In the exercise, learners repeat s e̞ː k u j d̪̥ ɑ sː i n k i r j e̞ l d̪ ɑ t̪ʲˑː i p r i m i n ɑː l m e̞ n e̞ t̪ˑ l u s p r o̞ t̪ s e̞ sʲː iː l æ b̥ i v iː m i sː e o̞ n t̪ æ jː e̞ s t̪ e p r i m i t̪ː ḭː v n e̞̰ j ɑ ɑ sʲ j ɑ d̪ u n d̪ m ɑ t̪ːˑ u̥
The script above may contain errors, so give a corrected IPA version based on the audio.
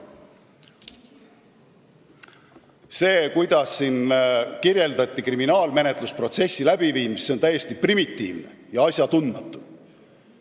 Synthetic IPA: s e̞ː k u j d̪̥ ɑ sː i n k i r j e̞ l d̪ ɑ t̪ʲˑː i k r i m i n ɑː l m e̞ n e̞ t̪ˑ l u s p r o̞ t̪ s e̞ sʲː i l æ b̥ i v iː m i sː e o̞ n t̪ æ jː e̞ s t̪ i p r i m i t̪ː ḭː v n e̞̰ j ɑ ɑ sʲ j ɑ t̪ u n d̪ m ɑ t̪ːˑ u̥